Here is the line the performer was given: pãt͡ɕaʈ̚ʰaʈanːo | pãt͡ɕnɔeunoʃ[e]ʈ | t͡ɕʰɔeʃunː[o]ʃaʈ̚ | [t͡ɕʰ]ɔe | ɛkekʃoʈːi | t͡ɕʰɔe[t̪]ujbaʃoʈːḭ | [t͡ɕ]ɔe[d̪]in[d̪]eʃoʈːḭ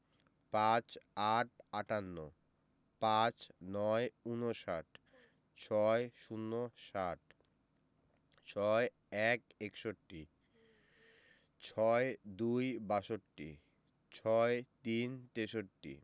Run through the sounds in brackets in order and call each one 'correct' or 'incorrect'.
incorrect: a, correct, correct, incorrect: d̪, incorrect: t͡ɕʰ, incorrect: t̪, incorrect: t̪

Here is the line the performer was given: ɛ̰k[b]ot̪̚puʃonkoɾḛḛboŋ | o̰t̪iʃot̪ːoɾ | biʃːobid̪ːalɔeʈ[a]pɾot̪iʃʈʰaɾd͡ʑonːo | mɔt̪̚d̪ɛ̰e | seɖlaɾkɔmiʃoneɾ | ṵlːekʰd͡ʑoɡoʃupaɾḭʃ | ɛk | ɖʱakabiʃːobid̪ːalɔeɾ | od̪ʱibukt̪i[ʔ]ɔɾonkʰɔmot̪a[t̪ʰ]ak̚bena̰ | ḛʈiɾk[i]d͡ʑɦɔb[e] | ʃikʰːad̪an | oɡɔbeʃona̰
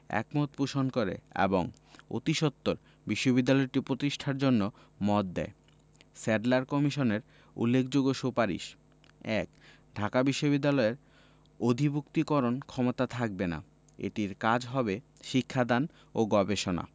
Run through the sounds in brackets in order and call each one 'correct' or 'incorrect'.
incorrect: m, incorrect: i, incorrect: k, correct, incorrect: a, correct

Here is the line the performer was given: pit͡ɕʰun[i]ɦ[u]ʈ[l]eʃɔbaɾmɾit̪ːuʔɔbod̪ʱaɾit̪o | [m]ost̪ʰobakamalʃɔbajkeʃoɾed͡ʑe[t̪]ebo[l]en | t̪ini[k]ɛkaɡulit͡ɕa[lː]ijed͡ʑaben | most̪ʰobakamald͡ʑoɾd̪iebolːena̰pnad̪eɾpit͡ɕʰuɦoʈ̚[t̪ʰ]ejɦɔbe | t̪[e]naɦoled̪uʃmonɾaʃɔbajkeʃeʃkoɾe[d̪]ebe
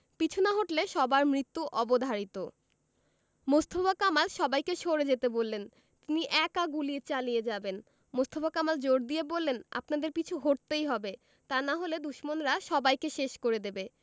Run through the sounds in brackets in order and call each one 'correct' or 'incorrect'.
incorrect: a, incorrect: o, correct, correct, correct, incorrect: lː, incorrect: ʔ, incorrect: l, incorrect: t̪, incorrect: a, correct

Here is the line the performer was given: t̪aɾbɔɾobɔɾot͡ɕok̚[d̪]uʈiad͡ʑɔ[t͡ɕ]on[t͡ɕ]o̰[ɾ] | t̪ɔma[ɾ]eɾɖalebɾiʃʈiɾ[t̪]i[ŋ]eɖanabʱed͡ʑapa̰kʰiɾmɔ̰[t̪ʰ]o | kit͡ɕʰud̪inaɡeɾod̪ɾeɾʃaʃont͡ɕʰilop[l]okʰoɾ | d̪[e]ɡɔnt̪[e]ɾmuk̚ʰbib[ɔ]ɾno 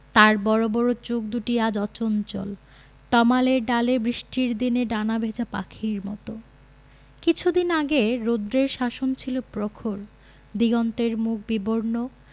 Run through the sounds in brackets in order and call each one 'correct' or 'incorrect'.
correct, correct, correct, incorrect: l, incorrect: l, incorrect: d̪, incorrect: n, incorrect: t̪, incorrect: ɾ, incorrect: i, correct, incorrect: o

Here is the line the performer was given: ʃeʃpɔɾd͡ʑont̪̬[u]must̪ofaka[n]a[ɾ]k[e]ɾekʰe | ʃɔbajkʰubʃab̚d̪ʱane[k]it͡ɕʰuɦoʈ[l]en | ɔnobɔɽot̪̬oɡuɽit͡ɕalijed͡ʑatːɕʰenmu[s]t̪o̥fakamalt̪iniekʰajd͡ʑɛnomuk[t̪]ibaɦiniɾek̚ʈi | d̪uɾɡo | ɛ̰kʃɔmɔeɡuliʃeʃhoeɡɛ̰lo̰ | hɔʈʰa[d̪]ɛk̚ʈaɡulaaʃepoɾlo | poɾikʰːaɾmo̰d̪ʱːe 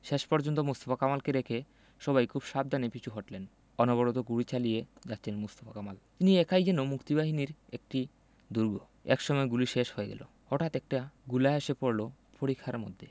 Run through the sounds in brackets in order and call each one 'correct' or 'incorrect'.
incorrect: o, incorrect: m, incorrect: l, correct, incorrect: p, correct, correct, correct, incorrect: t̪

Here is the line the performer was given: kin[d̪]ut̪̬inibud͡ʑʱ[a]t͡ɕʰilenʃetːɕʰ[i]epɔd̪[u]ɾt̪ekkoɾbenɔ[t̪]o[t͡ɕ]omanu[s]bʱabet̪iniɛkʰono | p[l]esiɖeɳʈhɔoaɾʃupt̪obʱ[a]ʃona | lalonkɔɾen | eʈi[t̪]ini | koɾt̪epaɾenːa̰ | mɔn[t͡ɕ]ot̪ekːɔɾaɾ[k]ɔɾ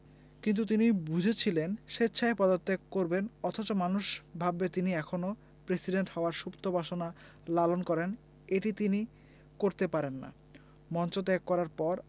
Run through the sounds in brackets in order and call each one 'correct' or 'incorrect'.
incorrect: t̪, incorrect: e, incorrect: a, incorrect: o, incorrect: t̪ʰ, correct, incorrect: ʃ, incorrect: ɾ, correct, correct, correct, incorrect: p

